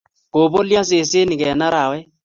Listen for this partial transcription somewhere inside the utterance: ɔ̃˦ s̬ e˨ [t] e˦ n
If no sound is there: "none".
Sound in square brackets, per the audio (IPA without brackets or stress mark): s